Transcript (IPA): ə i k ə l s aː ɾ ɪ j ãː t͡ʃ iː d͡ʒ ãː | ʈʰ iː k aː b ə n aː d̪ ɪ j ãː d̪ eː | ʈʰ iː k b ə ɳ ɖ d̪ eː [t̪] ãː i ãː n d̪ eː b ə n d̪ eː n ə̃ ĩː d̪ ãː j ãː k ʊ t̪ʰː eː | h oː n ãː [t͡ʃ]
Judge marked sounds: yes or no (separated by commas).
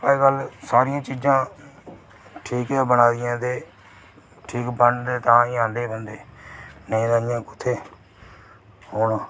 yes, no